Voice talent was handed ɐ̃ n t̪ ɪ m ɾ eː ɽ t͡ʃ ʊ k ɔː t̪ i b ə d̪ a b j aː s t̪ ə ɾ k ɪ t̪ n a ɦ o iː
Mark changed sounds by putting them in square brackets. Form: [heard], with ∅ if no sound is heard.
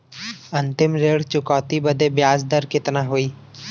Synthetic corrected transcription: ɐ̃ n t̪ ɪ m ɾ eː ɽ t͡ʃ ʊ k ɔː t̪ i b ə d̪ [e] b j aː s [d̪] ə ɾ k ɪ t̪ n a ɦ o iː